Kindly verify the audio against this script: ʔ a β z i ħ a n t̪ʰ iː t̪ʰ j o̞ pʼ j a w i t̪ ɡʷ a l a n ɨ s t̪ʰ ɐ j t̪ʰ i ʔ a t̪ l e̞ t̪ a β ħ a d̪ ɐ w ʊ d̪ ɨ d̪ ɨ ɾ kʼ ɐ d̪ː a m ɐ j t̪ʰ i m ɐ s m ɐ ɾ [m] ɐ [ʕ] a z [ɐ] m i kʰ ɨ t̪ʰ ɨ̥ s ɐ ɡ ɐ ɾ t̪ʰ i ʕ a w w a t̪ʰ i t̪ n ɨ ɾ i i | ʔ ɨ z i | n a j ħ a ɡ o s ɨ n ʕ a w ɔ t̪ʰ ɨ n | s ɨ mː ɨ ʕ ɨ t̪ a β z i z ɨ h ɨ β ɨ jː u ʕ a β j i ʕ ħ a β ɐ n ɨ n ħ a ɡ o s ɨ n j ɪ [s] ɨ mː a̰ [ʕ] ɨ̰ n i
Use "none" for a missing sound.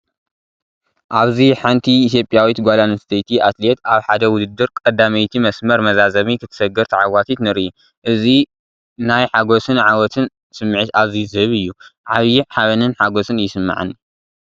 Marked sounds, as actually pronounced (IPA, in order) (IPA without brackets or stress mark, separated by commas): m, z, ɐ, s, ʕ